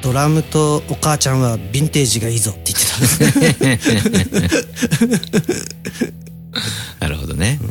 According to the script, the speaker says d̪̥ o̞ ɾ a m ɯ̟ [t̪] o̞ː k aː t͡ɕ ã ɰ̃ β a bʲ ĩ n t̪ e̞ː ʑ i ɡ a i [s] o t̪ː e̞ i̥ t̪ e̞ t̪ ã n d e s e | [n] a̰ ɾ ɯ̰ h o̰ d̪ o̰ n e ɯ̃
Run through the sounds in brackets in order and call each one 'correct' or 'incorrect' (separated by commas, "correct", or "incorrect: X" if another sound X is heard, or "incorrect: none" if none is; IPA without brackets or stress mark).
correct, incorrect: z, correct